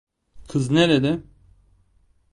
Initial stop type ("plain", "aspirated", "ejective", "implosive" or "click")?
aspirated